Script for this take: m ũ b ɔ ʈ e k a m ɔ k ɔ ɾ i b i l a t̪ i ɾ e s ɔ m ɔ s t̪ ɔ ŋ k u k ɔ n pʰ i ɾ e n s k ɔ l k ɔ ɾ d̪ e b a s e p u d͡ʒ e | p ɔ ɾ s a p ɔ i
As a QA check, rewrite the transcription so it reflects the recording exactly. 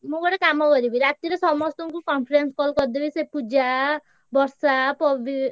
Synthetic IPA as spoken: m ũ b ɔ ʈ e k a m ɔ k ɔ ɾ i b i ɾ a t̪ i ɾ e s ɔ m ɔ s t̪ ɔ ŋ k u k ɔ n pʰ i ɾ e n s k ɔ l k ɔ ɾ d̪ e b i s e p u d͡ʒ a | b ɔ ɾ s a p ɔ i